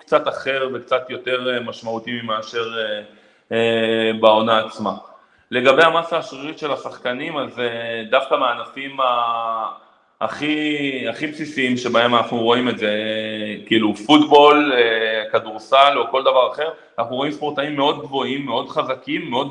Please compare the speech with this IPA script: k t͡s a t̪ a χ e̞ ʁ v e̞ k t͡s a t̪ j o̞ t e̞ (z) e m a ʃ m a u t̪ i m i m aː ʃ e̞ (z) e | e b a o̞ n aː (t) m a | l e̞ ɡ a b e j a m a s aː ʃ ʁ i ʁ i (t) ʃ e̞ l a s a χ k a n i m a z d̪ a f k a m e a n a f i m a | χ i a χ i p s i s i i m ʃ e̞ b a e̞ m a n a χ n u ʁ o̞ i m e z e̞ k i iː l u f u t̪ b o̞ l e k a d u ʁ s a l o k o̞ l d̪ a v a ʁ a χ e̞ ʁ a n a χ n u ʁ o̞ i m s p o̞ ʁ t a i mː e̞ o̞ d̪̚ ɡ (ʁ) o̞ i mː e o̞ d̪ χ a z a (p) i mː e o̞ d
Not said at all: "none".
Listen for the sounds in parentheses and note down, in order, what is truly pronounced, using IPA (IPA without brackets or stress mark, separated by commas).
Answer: ʁ, ʁ, t͡s, t, v, k